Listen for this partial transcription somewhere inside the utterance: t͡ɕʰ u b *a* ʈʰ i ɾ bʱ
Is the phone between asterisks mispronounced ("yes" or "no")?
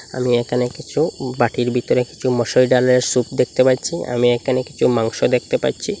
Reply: no